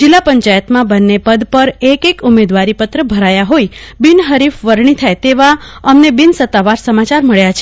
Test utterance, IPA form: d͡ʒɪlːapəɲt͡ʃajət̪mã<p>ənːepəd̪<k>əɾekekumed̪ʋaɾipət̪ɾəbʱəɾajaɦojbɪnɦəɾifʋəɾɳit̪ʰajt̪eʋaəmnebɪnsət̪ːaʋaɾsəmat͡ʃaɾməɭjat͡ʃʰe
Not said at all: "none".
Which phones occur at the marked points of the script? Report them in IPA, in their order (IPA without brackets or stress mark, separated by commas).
b, p